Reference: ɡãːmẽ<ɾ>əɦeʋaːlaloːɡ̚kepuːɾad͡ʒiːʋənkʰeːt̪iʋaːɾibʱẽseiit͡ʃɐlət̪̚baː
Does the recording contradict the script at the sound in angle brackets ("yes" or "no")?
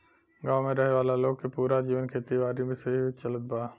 no